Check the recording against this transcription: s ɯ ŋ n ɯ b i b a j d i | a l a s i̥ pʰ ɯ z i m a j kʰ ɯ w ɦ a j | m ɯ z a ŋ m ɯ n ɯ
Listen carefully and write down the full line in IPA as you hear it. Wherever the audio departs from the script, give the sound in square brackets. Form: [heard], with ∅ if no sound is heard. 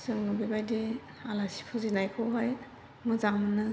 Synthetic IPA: s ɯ ŋ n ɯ b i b a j d i | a l a s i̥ pʰ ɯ z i [n] a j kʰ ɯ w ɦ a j | m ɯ z a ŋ m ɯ n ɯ